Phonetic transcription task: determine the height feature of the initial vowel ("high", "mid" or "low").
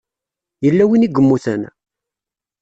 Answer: mid